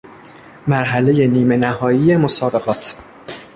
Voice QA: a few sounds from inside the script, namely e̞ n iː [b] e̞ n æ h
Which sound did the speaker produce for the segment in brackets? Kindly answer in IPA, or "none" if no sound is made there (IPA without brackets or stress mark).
m